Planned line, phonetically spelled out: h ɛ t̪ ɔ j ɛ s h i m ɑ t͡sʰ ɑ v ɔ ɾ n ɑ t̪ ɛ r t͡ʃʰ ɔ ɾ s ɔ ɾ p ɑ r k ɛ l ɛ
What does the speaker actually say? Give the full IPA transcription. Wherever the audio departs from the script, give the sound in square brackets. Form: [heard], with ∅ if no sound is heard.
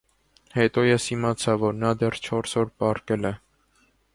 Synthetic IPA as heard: h ɛ t̪ ɔ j ɛ s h i m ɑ t͡sʰ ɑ v ɔ ɾ n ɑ [d̪] ɛ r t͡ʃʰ ɔ ɾ s ɔ ɾ p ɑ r k ɛ l ɛ